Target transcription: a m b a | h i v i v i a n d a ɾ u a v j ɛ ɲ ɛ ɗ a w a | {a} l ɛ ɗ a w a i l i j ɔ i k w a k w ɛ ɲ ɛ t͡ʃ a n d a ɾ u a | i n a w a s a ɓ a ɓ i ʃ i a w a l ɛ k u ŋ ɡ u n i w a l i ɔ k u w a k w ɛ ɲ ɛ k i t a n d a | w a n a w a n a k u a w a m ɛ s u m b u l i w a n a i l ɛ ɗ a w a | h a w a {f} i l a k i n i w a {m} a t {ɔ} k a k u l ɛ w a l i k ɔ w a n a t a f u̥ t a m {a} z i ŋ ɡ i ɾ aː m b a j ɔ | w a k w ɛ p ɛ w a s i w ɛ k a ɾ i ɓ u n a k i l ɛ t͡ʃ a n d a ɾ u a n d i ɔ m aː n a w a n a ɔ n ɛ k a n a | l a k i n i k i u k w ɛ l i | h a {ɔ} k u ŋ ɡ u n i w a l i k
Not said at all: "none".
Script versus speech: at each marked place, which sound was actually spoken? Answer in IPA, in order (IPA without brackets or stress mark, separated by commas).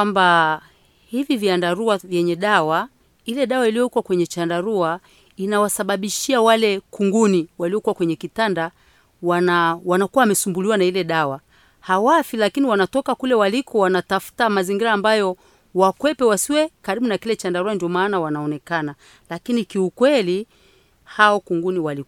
i, f, n, ɔ, a, ɔ